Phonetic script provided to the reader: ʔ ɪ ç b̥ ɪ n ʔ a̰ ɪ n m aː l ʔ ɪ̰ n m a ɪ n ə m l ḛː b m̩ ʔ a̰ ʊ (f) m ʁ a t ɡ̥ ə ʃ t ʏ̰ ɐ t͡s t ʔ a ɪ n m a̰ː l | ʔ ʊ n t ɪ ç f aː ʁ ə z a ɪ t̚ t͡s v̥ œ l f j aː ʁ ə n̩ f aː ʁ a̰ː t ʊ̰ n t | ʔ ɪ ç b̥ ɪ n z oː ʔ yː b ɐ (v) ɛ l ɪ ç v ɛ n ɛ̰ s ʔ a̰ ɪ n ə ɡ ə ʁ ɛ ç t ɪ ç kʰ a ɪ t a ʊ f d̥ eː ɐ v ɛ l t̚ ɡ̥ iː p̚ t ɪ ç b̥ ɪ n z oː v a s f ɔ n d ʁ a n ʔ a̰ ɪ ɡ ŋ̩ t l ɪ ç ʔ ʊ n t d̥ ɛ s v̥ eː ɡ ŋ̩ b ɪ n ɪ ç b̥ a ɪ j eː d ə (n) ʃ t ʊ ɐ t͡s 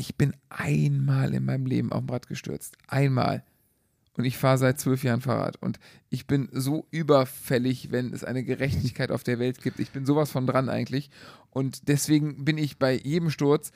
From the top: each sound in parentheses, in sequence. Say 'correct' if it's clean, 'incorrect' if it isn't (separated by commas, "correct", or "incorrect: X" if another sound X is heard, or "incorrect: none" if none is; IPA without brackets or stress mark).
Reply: correct, incorrect: f, incorrect: m